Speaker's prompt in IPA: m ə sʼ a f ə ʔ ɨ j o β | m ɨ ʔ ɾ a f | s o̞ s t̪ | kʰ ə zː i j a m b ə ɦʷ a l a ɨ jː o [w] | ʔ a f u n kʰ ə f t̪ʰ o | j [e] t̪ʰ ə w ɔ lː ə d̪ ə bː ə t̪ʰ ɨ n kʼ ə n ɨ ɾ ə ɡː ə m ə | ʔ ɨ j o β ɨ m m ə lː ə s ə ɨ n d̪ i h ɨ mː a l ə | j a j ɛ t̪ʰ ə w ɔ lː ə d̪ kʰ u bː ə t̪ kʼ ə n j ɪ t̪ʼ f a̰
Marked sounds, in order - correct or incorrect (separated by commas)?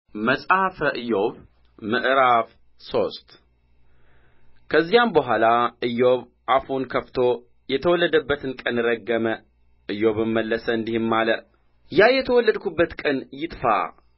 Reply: incorrect, incorrect